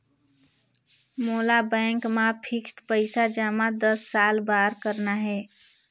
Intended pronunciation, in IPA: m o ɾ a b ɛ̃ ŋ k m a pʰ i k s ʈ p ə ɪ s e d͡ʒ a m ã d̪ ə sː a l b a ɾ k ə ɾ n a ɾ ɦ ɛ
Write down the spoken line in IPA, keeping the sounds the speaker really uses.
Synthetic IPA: m o l a b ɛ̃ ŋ k m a pʰ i k s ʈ p ə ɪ s a d͡ʒ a m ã d̪ ə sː a l b a ɾ k ə ɾ n a ɦ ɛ